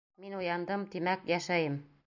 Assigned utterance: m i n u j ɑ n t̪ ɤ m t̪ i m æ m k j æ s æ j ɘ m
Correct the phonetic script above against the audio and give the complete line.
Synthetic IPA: m i n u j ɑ n d̪ ɤ m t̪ i m æ k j æ ʃ æ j ɘ m